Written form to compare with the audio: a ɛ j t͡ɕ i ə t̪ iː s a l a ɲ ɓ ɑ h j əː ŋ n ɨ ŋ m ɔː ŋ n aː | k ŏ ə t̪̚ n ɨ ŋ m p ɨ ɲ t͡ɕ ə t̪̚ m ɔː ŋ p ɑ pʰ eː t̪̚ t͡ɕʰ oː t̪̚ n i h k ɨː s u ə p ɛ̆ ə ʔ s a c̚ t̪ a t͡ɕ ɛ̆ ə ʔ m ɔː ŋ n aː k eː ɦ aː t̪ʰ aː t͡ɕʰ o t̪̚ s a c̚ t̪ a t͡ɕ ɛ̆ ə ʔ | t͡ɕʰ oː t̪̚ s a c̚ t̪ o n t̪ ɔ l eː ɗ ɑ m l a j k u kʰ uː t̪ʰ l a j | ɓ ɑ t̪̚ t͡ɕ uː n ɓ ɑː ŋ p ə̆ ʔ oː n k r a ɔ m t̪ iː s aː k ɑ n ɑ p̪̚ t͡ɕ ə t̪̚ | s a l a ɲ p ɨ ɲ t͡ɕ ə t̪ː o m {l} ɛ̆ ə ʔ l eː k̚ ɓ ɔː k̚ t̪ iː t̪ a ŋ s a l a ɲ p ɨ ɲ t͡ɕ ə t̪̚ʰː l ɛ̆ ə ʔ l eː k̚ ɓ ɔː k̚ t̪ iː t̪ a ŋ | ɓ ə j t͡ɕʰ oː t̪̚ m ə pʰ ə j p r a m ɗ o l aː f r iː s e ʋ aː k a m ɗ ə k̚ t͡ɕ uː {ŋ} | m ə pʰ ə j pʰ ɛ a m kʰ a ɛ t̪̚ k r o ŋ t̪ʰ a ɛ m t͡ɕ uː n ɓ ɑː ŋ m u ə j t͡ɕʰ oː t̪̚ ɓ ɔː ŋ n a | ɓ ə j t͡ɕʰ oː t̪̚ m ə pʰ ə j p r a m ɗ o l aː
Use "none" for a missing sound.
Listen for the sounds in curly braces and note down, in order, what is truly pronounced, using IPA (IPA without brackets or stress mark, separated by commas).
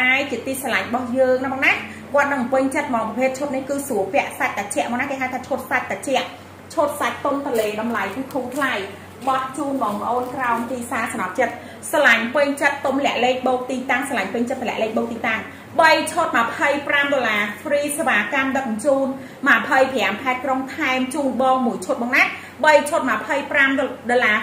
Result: l, n